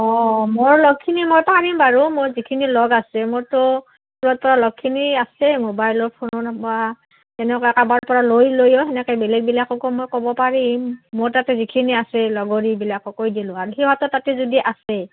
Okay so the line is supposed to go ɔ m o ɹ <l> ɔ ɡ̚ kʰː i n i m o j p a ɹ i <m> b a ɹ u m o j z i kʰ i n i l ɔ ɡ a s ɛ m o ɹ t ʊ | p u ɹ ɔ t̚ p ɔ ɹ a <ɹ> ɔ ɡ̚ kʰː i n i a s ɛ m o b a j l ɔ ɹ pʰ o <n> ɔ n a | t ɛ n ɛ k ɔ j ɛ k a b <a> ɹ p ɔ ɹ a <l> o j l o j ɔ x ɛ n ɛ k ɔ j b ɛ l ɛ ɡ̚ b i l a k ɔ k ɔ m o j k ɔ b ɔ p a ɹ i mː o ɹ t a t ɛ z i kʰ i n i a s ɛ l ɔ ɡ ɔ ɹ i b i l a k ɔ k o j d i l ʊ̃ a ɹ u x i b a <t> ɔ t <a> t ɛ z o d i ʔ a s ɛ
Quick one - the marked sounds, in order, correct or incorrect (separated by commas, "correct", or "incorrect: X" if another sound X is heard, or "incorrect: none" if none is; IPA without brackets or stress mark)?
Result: correct, correct, incorrect: l, correct, correct, correct, correct, correct